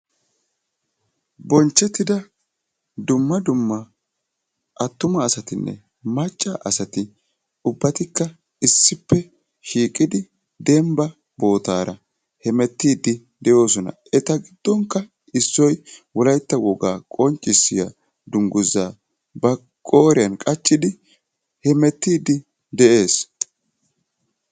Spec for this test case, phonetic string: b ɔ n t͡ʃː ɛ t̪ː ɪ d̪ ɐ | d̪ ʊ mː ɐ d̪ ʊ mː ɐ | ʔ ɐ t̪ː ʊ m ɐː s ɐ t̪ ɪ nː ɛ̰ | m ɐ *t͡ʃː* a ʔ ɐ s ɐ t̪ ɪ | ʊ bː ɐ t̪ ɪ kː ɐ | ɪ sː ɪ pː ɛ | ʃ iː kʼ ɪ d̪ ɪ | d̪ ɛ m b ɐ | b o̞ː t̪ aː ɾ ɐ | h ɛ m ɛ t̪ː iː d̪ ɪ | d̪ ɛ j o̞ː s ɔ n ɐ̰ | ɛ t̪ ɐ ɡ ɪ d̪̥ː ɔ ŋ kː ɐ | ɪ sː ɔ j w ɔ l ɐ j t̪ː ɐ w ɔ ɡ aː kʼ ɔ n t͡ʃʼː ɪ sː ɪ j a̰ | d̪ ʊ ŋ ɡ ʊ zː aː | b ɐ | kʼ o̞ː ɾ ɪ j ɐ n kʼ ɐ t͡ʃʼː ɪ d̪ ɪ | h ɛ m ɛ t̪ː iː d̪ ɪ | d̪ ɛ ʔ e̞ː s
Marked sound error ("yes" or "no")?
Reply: yes